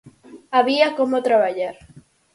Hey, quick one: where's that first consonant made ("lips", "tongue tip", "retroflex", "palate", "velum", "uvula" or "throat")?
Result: lips